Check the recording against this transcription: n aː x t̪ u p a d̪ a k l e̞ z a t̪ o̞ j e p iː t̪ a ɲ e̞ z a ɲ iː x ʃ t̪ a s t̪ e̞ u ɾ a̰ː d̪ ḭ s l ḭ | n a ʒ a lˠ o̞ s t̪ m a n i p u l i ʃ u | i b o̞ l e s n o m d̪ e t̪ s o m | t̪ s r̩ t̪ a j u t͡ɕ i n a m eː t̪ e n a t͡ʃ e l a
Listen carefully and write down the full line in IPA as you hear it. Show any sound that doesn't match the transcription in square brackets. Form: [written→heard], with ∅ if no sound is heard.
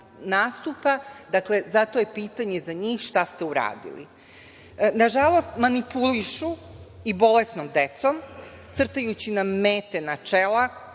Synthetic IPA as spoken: n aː [x→s] t̪ u p a d̪ a k l e̞ z a t̪ o̞ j e p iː t̪ a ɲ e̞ z a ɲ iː x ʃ t̪ a s t̪ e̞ u ɾ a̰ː d̪ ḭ [s→∅] l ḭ | n a ʒ a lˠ o̞ s t̪ m a n i p u l i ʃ u | i b o̞ l e s n o m d̪ e t̪ s o m | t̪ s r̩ t̪ a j u t͡ɕ i n a m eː t̪ e n a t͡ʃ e l a